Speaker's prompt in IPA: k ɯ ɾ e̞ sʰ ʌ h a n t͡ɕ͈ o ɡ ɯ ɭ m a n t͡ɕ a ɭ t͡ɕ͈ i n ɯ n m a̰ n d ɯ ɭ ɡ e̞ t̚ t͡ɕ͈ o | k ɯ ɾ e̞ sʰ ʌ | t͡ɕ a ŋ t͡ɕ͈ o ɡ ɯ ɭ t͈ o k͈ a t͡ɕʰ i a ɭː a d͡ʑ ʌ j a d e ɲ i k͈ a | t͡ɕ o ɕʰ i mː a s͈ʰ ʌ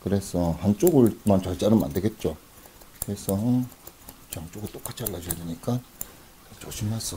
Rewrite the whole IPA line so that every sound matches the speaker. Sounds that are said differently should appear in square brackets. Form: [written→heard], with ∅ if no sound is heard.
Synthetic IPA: k ɯ ɾ e̞ sʰ ʌ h a n t͡ɕ͈ o ɡ ɯ ɭ m a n t͡ɕ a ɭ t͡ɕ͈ [i→a] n ɯ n m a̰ n d ɯ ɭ ɡ e̞ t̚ t͡ɕ͈ o | k ɯ ɾ e̞ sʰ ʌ | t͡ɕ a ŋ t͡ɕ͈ o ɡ ɯ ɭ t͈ o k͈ a t͡ɕʰ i a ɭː a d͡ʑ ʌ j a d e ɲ i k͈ a | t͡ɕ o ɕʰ i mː a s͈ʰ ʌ